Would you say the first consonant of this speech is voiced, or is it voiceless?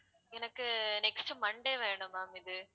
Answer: voiced